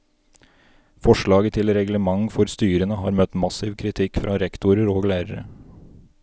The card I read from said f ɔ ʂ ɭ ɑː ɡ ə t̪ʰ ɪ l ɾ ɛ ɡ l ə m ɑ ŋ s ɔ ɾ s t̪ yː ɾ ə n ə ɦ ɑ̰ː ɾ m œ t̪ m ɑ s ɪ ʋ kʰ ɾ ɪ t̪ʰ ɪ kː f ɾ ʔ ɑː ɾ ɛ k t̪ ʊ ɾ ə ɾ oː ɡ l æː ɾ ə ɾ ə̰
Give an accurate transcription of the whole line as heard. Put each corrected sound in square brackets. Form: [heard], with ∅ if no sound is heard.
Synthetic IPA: f ɔ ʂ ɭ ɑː ɡ ə t̪ʰ ɪ l ɾ ɛ ɡ l ə m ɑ ŋ [f] ɔ ɾ s t̪ yː ɾ ə n ə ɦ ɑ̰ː ɾ m œ t̪ m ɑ s ɪ ʋ kʰ ɾ ɪ t̪ʰ ɪ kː f ɾ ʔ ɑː ɾ ɛ k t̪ ʊ ɾ ə ɾ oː ɡ l æː ɾ ə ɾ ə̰